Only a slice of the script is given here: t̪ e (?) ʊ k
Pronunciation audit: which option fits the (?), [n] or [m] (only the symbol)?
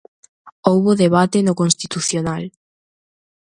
n